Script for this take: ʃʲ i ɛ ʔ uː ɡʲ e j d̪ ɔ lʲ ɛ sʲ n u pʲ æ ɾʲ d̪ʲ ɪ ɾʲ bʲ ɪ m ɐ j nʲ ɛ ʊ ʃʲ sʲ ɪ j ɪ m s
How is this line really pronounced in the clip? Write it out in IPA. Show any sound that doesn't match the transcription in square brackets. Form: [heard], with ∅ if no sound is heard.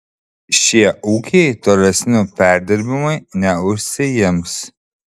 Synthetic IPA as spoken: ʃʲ i ɛ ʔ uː [kʲ] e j [t̪] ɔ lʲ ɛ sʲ n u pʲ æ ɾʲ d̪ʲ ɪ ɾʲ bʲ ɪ m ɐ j nʲ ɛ ʊ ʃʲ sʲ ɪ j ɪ m s